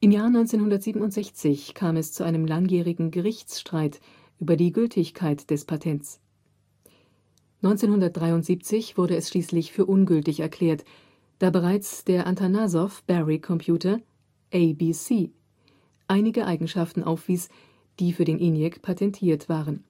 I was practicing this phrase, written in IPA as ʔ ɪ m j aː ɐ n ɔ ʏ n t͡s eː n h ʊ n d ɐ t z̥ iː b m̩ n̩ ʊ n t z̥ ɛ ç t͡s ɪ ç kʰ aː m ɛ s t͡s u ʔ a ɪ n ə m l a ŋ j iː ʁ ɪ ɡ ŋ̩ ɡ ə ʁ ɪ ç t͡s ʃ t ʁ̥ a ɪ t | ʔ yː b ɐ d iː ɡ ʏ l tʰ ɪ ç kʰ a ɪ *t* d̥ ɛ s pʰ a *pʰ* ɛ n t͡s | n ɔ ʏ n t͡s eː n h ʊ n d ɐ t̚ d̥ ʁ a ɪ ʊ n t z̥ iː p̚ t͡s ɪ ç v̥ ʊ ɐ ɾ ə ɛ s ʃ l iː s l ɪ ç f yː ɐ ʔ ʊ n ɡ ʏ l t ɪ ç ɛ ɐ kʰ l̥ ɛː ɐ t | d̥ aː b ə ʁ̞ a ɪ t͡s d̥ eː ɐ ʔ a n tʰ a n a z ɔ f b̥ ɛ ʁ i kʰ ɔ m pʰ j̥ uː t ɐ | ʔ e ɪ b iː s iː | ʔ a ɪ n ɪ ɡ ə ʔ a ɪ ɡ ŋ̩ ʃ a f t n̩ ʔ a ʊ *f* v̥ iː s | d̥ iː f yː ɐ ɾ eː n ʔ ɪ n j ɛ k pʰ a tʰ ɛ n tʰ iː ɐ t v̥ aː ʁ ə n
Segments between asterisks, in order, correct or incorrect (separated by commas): correct, incorrect, correct